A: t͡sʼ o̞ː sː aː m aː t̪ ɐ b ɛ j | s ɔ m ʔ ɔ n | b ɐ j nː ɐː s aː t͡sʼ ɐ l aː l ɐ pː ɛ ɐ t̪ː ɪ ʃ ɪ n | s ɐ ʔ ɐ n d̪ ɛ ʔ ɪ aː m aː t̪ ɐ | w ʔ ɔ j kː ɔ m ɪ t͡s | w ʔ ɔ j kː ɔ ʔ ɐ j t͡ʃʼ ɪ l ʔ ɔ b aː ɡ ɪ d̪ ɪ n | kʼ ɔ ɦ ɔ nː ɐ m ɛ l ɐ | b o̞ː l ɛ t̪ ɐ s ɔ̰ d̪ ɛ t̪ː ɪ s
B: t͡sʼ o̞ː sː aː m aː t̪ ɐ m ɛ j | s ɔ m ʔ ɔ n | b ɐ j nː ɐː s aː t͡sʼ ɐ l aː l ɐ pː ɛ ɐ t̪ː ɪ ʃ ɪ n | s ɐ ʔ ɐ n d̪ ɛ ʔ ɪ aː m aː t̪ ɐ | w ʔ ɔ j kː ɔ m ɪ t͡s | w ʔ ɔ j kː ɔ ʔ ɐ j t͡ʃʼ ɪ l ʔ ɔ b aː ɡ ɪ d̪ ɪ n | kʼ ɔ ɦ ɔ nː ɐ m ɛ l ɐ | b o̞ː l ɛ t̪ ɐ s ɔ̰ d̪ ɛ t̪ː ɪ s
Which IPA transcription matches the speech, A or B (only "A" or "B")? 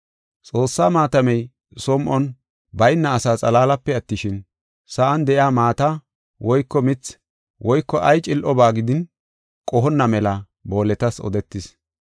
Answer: B